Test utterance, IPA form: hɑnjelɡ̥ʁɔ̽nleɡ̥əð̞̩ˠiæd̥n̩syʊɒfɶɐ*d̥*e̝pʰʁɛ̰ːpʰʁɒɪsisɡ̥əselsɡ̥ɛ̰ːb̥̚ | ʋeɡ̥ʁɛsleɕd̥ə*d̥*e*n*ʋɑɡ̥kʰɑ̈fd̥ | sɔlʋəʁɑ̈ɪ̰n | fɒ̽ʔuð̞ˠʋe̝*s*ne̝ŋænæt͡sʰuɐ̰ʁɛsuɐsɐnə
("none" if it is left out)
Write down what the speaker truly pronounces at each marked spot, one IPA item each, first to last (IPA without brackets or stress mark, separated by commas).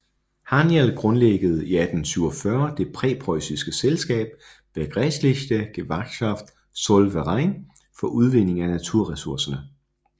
d̥, ɡ̥, none, none